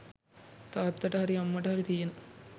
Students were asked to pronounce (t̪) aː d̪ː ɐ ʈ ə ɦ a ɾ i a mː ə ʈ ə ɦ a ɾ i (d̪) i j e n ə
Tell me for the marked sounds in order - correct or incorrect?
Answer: correct, incorrect

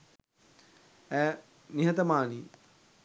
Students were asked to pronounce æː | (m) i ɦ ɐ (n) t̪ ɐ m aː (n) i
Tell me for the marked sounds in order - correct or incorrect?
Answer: incorrect, incorrect, correct

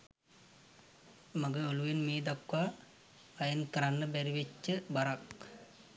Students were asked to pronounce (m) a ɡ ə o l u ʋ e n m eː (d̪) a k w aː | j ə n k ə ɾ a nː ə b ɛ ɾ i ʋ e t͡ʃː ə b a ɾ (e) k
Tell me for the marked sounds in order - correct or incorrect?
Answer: correct, correct, incorrect

